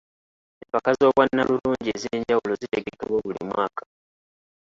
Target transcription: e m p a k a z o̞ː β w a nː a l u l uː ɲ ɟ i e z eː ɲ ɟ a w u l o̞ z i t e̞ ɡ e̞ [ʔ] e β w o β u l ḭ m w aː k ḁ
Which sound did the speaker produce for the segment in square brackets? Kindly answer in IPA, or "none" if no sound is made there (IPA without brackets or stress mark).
k